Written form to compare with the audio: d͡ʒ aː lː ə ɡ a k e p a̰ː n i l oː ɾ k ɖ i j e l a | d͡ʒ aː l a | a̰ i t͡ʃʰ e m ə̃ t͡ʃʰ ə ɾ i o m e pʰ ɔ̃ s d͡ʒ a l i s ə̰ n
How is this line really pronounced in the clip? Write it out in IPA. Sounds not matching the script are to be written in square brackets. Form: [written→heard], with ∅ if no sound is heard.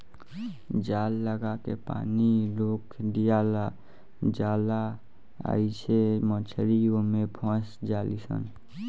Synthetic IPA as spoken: d͡ʒ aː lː ə ɡ a k e p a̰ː n i l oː [ɾ→∅] k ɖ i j [e→a] l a | d͡ʒ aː l a | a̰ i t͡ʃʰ e m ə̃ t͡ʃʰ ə ɾ i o m e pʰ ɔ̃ s d͡ʒ a l i s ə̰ n